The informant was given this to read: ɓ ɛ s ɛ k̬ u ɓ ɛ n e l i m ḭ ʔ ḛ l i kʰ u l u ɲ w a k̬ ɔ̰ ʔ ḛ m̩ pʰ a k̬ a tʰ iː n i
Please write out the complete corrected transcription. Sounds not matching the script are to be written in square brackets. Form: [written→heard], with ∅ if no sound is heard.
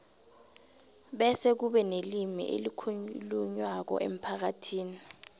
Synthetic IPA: ɓ ɛ s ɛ k̬ u ɓ ɛ n e l i m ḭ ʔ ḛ l i kʰ u l u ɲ w a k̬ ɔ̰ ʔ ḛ m̩ pʰ a k̬ a tʰ iː n i